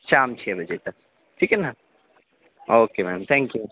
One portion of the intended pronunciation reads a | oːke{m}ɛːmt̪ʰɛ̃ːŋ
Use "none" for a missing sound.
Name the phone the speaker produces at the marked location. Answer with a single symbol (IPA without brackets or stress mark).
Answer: m